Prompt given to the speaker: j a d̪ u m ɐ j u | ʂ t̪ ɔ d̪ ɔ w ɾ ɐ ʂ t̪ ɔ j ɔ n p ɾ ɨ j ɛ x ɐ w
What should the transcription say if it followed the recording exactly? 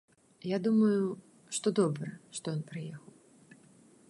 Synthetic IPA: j a d̪ u m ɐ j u | ʂ t̪ ɔ d̪ ɔ b ɾ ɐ ʂ t̪ ɔ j ɔ n p ɾ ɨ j ɛ x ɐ w